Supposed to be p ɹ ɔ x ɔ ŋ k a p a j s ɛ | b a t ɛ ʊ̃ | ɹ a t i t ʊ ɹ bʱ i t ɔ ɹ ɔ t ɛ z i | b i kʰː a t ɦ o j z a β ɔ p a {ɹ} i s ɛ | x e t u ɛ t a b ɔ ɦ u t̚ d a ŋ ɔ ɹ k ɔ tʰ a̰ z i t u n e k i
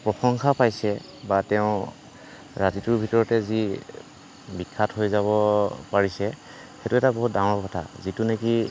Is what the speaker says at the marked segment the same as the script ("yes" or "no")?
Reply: yes